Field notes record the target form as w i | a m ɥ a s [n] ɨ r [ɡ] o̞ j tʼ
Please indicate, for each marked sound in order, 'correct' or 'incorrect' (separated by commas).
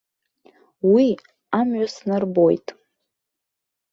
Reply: correct, incorrect